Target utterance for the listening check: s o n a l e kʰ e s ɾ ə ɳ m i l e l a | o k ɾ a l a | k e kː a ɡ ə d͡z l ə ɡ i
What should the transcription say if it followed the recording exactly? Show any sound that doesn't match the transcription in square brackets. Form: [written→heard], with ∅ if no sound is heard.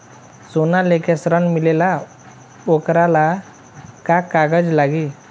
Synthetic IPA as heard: s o n a l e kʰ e s ɾ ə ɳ m i l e l a | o k ɾ a l a | k [e→a] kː a ɡ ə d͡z l [ə→a] ɡ i